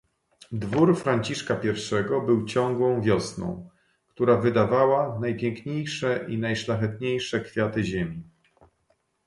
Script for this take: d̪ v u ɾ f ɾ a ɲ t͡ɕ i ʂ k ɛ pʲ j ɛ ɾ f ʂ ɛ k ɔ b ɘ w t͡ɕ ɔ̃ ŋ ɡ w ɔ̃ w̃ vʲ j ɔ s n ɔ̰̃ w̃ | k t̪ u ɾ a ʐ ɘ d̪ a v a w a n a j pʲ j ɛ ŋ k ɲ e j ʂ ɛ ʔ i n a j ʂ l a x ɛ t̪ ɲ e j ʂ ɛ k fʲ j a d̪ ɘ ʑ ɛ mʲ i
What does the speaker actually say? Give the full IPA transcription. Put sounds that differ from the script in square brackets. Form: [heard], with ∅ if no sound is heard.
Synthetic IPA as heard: d̪ v u ɾ f ɾ a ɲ t͡ɕ i ʂ k [a] pʲ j ɛ ɾ f ʂ ɛ [ɡ] ɔ b ɘ w t͡ɕ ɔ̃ ŋ ɡ w ɔ̃ w̃ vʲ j ɔ s n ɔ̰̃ w̃ | k t̪ u ɾ a [v] ɘ d̪ a v a w a n a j pʲ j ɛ ŋ k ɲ e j ʂ ɛ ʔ i n a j ʂ l a x ɛ t̪ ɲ e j ʂ ɛ k fʲ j a [t̪] ɘ ʑ [e] mʲ i